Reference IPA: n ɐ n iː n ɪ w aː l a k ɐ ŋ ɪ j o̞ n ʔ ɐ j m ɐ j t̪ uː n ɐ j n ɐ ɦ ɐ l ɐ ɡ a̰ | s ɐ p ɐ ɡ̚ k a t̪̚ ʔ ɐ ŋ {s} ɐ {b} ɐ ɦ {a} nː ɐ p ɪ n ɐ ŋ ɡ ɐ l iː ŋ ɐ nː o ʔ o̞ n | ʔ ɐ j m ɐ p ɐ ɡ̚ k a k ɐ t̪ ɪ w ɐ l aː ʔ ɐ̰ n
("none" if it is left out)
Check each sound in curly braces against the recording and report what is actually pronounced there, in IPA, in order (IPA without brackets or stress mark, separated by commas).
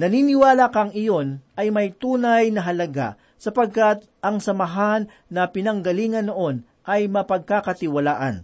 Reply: s, m, a